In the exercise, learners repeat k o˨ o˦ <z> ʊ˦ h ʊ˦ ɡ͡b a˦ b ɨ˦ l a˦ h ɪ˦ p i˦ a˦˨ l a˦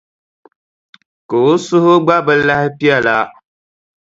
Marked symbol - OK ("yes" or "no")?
no